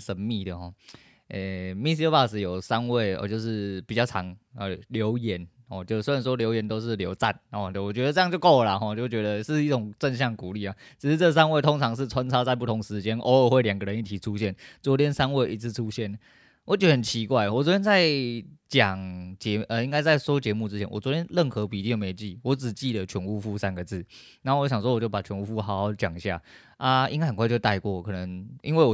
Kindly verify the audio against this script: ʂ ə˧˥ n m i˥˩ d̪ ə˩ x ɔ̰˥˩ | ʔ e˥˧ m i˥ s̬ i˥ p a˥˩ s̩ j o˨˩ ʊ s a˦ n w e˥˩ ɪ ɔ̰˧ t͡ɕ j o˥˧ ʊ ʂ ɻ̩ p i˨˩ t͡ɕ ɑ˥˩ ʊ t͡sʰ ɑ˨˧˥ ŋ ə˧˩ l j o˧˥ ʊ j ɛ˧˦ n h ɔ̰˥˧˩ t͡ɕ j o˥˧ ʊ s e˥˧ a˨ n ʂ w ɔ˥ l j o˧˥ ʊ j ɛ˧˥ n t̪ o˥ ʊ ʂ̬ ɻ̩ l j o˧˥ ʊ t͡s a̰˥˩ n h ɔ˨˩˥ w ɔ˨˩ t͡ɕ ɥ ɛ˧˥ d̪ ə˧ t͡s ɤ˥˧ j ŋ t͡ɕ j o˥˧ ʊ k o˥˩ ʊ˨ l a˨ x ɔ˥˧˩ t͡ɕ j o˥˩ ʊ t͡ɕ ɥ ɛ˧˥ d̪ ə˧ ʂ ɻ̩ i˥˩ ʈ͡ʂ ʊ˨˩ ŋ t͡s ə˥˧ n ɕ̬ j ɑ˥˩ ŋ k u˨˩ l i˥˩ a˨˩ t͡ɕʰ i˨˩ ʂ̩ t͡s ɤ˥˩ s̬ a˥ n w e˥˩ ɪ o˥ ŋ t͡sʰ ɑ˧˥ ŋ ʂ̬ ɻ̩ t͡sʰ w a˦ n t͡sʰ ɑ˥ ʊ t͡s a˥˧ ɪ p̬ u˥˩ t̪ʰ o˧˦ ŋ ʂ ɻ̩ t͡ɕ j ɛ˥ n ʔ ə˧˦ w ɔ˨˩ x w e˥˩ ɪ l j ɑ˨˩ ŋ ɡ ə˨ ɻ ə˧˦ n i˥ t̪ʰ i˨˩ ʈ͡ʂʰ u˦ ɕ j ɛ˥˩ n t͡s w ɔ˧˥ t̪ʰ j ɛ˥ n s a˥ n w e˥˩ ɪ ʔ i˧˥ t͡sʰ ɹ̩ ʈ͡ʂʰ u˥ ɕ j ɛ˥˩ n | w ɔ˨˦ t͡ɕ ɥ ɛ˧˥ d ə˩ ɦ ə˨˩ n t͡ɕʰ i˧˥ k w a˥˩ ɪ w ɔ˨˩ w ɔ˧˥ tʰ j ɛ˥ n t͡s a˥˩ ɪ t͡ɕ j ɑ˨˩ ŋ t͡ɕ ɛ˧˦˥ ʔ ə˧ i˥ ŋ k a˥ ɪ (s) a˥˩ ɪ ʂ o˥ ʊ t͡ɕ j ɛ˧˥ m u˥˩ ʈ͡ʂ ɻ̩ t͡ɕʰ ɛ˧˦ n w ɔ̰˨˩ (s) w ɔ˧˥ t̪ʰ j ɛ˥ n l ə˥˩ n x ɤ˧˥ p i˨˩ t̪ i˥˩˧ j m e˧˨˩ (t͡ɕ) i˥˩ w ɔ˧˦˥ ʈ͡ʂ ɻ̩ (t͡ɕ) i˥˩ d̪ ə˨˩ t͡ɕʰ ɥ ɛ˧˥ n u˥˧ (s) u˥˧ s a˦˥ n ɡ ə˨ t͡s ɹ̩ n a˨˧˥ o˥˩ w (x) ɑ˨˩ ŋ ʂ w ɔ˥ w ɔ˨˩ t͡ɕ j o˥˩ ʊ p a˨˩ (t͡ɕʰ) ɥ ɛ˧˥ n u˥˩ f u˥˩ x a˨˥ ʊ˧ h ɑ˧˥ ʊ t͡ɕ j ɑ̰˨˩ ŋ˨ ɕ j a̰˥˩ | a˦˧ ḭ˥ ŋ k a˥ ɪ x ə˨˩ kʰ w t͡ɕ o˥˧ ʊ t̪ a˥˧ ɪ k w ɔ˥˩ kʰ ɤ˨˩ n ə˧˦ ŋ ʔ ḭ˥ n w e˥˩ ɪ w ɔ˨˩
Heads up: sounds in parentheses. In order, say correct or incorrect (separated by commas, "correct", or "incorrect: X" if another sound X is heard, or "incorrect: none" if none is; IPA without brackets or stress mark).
incorrect: t͡s, incorrect: t͡s, correct, correct, incorrect: f, incorrect: ɕ, correct